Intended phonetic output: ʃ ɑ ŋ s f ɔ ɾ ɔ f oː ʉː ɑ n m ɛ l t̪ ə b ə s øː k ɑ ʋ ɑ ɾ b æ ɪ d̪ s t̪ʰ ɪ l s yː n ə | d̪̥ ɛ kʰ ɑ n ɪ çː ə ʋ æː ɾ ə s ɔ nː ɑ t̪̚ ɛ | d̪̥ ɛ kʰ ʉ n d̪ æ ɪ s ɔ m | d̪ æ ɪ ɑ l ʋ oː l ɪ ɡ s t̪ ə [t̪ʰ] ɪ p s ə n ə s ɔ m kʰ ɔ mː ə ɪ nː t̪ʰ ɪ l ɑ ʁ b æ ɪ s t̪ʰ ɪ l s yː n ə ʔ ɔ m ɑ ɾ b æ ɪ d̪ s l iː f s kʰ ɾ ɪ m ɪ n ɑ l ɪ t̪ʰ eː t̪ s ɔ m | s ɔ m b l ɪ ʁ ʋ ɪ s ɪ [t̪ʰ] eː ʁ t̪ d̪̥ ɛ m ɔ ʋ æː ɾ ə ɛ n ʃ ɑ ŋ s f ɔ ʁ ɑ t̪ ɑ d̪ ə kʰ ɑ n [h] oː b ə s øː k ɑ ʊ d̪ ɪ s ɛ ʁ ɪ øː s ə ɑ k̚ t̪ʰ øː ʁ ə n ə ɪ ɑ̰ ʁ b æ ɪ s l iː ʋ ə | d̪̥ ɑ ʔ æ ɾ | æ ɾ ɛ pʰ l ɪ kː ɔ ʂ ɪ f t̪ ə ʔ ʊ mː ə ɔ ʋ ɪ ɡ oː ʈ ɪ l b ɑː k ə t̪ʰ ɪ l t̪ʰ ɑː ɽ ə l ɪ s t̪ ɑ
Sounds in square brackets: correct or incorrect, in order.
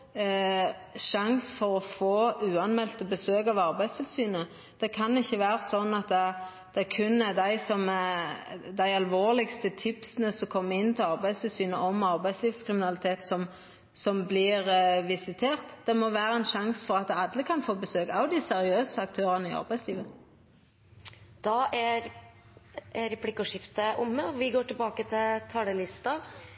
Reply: correct, correct, incorrect: f

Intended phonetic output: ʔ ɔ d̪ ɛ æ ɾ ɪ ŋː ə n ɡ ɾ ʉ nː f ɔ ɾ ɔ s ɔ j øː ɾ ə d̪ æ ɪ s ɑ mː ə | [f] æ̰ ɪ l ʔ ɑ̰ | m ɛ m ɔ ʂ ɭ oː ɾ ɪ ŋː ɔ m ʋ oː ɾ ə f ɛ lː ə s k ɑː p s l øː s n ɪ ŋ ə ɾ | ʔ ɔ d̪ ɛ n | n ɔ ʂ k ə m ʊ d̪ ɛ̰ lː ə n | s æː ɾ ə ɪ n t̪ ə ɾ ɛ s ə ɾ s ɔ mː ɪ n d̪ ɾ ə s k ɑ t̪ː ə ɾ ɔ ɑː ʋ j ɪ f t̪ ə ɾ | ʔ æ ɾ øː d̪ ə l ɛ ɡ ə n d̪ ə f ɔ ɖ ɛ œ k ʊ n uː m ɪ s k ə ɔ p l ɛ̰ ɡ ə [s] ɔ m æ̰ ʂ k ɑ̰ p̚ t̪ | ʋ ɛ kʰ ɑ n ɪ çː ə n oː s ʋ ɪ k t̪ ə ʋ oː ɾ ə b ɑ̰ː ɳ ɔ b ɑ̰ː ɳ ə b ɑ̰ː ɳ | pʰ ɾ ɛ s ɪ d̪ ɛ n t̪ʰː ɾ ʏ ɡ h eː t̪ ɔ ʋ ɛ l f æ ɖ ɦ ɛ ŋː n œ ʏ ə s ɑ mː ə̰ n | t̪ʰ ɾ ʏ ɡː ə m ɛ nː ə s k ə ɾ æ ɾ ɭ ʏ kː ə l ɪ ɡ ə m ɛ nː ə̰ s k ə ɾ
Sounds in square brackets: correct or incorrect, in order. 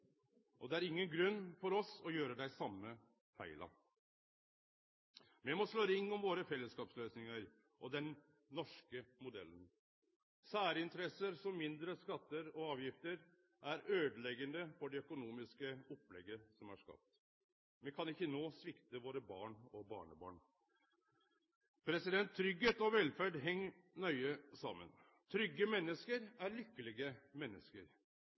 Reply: correct, correct

